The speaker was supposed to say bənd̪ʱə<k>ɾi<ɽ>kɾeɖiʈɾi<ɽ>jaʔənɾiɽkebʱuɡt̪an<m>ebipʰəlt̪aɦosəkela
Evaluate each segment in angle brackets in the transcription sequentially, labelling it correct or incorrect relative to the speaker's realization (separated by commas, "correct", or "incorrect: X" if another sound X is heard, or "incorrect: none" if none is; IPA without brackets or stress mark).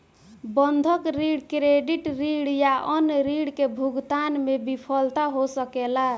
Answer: correct, correct, correct, correct